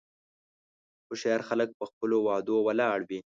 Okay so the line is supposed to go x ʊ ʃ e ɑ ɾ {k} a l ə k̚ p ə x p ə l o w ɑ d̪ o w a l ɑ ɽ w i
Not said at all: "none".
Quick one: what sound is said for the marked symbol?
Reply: x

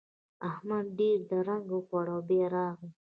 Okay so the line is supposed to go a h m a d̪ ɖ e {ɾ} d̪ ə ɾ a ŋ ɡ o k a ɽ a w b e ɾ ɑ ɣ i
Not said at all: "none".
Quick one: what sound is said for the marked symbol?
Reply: ɾ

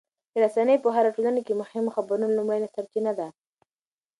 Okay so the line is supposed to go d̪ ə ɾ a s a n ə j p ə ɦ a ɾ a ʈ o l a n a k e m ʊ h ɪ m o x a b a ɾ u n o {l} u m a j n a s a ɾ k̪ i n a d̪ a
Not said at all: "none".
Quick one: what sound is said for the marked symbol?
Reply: l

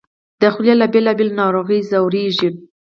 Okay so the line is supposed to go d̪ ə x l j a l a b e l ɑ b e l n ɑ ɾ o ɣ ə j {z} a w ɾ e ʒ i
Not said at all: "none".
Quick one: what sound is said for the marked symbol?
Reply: z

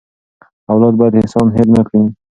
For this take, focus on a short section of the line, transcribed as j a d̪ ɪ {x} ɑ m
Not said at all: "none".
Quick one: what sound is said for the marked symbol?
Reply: s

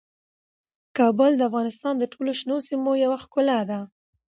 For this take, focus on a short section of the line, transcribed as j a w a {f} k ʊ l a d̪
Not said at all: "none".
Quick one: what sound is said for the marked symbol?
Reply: x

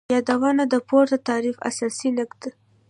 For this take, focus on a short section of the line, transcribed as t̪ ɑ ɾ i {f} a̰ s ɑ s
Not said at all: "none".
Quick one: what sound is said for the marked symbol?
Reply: f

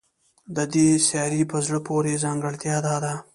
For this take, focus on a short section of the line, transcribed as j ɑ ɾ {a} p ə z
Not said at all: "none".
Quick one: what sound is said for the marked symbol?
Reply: i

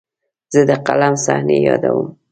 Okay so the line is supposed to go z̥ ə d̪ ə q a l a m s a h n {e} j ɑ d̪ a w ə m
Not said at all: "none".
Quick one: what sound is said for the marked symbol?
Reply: e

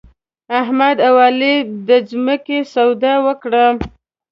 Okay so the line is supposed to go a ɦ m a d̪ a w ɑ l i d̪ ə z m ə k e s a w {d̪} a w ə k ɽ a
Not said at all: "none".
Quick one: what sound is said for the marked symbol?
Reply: d̪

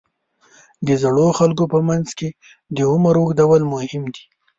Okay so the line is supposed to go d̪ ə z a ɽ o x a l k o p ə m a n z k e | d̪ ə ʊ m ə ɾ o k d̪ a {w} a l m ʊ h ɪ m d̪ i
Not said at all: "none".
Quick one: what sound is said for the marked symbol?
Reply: w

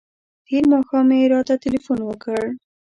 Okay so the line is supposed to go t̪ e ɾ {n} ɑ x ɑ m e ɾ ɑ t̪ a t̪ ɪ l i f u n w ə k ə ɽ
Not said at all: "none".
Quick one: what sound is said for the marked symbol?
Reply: m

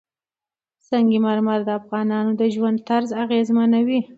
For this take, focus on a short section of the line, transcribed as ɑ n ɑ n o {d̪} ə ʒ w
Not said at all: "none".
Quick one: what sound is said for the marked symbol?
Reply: d̪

